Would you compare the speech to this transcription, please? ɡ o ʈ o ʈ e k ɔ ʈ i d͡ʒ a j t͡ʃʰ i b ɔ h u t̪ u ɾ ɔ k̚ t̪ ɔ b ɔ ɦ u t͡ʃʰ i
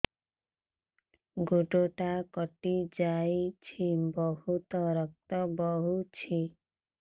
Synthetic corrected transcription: ɡ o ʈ o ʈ a k ɔ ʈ i d͡ʒ a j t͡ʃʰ i b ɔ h u t̪ ɔ ɾ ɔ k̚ t̪ ɔ b ɔ ɦ u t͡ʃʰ i

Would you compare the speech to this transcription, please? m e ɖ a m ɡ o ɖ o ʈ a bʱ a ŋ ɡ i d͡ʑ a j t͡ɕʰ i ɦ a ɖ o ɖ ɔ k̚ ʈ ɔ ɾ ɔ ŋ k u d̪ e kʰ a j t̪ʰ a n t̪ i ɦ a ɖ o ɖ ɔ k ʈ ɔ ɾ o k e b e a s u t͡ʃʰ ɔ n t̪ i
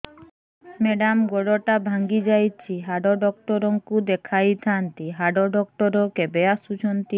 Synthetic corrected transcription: m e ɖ a m ɡ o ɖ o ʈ a bʱ a ŋ ɡ i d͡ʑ a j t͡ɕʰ i ɦ a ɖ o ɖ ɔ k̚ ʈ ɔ ɾ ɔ ŋ k u d̪ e kʰ a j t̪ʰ a n t̪ i ɦ a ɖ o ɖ ɔ k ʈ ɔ ɾ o k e b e a s u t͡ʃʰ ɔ n t̪ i

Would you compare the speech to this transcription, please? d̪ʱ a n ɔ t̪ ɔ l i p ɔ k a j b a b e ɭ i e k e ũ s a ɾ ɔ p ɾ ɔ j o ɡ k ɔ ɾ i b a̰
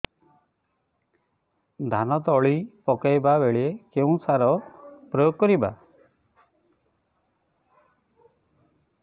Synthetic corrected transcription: d̪ʱ a n ɔ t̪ ɔ ɭ i p ɔ k a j b a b e ɭ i e k e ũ s a ɾ ɔ p ɾ ɔ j o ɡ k ɔ ɾ i b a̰

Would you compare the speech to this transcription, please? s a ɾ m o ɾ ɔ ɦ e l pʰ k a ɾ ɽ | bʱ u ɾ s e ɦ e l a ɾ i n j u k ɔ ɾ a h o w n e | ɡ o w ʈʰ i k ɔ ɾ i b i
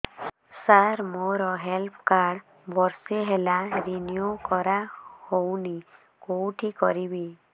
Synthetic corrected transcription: s a ɾ m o ɾ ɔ ɦ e l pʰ k a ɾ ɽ | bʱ ɔ ɾ s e ɦ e l a ɾ i n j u k ɔ ɾ a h o w n i | k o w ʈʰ i k ɔ ɾ i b i

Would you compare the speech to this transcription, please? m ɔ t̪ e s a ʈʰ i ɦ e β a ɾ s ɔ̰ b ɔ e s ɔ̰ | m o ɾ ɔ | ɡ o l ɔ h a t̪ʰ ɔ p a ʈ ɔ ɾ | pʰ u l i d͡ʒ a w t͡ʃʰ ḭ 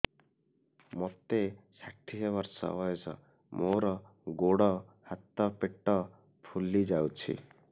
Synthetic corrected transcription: m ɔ t̪ e s a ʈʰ i ɦ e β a ɾ s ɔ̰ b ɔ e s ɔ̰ | m o ɾ ɔ | ɡ o ɽ ɔ h a t̪ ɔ p e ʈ ɔ | pʰ u l i d͡ʒ a w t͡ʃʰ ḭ

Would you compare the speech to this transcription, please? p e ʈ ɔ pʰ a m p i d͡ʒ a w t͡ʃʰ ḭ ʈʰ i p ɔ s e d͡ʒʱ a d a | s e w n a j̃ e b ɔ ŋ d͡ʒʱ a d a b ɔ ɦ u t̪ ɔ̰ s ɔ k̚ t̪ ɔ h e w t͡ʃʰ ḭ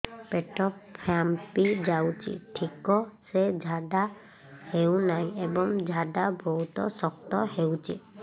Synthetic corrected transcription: p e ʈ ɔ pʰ a m p i d͡ʒ a w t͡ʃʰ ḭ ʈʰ i k ɔ s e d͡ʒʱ a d a | h e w n a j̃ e b ɔ ŋ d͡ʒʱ a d a b ɔ ɦ u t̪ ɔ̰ s ɔ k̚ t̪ ɔ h e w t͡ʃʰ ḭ

